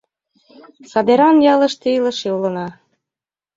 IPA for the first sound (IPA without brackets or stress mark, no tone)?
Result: s